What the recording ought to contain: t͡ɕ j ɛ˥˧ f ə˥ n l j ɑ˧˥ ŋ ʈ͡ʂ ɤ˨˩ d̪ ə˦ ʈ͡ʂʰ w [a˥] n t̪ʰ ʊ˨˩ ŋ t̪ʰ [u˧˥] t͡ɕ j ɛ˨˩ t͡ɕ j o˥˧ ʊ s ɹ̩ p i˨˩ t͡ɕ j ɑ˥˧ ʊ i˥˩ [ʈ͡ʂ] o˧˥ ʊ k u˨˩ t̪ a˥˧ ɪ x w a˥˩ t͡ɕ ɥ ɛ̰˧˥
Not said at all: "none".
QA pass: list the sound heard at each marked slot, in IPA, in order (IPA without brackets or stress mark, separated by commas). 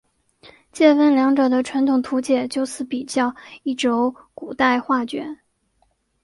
a˧˥, u˧˥, ʈ͡ʂ